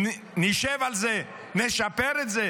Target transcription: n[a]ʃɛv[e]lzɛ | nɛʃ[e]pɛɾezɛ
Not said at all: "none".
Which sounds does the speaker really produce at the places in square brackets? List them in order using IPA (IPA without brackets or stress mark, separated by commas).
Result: i, a, a